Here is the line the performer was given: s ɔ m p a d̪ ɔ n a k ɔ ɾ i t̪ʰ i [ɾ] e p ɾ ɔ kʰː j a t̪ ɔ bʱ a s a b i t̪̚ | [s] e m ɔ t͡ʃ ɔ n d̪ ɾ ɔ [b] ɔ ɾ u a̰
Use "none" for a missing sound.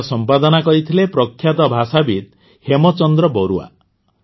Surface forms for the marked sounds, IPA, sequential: l, h, b

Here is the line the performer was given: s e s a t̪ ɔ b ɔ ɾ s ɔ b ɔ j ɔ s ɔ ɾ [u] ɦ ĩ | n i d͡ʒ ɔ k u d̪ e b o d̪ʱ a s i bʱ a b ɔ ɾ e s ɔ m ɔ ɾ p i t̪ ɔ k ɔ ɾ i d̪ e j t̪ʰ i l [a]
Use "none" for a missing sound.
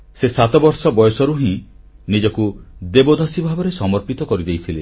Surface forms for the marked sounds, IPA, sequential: u, e

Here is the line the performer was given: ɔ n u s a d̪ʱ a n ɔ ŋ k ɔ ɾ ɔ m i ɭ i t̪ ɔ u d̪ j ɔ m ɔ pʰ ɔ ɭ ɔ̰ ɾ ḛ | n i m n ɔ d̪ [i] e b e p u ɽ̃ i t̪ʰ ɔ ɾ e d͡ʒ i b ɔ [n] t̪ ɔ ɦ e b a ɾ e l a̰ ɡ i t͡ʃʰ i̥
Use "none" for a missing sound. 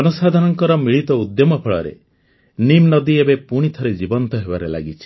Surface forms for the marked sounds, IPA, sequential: i, n

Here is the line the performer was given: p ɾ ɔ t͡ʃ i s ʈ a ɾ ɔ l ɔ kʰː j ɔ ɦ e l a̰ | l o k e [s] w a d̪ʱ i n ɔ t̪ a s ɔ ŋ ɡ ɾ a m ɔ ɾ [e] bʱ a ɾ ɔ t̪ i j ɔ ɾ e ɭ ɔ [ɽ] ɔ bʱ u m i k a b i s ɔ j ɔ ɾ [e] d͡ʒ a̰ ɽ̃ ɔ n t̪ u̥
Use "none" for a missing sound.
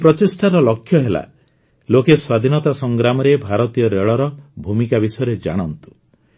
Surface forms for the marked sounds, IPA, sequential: s, e, ɾ, e

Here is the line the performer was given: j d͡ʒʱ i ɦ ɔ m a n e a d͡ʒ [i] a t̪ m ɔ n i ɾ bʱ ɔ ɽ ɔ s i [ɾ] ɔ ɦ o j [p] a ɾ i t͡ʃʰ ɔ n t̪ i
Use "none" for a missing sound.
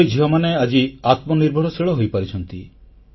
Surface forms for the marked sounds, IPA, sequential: i, ɭ, p

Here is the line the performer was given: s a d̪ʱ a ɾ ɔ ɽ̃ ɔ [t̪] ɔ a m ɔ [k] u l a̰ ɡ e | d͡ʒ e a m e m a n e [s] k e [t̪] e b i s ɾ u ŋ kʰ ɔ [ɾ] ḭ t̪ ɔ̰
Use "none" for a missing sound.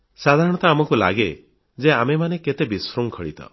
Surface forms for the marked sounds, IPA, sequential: t̪, k, none, t̪, ɭ

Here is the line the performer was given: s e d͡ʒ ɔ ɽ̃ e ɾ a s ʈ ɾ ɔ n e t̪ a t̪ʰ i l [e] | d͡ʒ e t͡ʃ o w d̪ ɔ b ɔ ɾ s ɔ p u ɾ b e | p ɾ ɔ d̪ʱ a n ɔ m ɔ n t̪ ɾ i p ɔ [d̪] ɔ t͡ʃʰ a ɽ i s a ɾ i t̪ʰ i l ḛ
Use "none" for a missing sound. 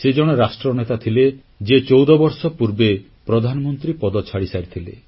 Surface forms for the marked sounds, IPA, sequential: e, d̪

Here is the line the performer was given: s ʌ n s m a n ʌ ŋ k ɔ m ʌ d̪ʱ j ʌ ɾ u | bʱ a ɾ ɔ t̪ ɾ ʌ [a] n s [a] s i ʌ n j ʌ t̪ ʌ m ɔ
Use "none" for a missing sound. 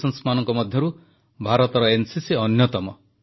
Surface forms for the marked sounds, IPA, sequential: e, i

